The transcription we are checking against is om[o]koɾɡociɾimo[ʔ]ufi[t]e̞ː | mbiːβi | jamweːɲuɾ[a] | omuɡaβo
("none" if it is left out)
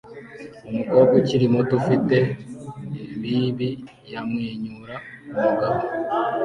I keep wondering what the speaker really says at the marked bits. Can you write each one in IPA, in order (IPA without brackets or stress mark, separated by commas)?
u, t, t, a